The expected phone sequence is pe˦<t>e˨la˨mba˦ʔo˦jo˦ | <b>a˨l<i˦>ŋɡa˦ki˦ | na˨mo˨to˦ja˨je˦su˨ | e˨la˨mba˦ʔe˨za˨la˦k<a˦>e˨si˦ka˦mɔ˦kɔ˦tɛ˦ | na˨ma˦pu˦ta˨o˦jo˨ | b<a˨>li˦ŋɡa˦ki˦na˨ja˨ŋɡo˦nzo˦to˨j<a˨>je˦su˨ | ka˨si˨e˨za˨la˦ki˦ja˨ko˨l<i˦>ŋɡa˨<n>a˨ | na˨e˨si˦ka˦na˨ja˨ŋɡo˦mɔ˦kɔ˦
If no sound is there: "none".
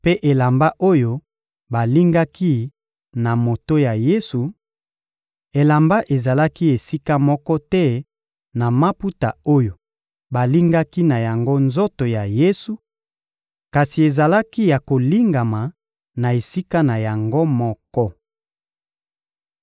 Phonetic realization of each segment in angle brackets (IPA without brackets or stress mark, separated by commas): ʔ, b, i˦, i˦, a˨, a˨, i˦, m